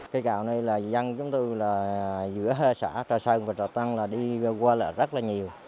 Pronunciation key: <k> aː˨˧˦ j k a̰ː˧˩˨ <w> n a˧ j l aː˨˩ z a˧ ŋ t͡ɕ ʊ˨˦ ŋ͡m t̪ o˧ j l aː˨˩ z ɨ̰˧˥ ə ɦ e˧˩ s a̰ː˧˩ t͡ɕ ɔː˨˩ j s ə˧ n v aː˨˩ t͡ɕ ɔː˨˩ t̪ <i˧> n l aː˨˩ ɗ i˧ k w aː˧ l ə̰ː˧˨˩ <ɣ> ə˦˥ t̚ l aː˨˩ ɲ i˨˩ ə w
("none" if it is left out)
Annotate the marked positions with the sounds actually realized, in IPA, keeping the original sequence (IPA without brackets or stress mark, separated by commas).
k, w, a˧, z